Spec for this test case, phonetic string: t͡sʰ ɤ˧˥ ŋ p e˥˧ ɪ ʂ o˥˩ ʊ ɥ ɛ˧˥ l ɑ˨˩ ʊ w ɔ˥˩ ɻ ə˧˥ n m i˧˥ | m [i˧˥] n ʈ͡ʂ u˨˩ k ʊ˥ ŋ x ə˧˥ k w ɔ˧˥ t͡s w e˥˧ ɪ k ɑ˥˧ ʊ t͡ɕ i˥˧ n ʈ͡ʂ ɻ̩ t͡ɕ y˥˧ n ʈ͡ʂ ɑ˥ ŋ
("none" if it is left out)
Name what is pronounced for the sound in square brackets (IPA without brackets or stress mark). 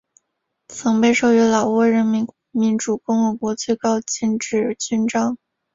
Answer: i˧˥